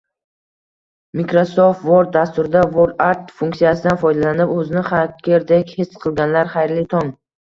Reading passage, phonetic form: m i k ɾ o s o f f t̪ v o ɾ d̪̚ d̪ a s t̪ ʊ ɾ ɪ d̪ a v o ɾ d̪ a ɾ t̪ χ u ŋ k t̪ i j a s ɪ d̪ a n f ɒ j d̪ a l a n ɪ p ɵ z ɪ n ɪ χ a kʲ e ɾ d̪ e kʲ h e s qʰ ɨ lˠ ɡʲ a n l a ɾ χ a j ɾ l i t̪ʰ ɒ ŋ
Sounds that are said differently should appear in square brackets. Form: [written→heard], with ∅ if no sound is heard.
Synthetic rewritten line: m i k ɾ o s o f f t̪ v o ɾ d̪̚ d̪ a s t̪ ʊ ɾ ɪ d̪ a v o ɾ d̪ a ɾ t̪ [χ→f] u ŋ k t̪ i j a s ɪ d̪ a n f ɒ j d̪ a l a n ɪ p ɵ z ɪ n ɪ χ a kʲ e ɾ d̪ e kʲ h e s qʰ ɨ lˠ ɡʲ a n l a ɾ χ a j ɾ l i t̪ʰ ɒ ŋ